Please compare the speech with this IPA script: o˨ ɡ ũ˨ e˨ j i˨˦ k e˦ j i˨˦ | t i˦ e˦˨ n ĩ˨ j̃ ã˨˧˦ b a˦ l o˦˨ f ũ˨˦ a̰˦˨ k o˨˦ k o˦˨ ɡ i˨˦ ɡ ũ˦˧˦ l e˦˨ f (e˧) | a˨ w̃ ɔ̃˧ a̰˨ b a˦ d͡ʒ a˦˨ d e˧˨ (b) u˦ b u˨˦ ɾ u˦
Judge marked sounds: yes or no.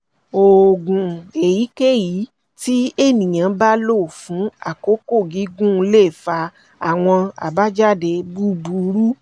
no, yes

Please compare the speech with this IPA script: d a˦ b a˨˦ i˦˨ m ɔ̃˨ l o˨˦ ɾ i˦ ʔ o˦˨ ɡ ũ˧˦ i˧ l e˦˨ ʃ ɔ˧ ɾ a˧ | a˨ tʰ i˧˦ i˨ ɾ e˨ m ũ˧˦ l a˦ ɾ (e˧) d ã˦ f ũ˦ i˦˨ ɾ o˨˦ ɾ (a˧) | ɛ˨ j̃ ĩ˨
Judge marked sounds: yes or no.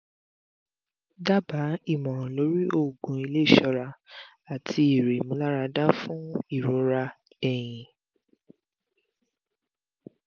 no, yes

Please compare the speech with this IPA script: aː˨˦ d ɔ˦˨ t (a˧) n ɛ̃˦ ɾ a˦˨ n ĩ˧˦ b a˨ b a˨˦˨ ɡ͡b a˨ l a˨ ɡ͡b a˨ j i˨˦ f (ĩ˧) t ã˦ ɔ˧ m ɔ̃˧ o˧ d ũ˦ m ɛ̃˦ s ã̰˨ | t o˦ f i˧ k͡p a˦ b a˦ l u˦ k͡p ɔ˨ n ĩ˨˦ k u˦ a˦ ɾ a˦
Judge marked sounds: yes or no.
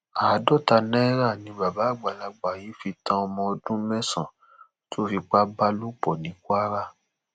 yes, no

